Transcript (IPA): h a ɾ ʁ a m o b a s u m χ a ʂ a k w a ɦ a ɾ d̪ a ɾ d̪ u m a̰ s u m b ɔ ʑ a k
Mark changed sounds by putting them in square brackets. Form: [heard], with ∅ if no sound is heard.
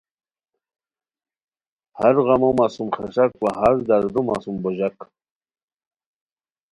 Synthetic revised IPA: h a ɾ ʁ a m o [m] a s u m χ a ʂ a k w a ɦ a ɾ d̪ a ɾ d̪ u m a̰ s u m b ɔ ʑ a k